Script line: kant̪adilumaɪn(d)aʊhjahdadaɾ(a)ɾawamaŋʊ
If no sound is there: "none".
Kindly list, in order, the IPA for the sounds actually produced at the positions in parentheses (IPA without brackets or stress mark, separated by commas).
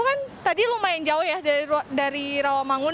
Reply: d͡ʒ, i